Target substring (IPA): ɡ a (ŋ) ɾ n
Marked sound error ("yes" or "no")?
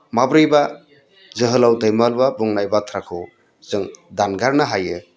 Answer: yes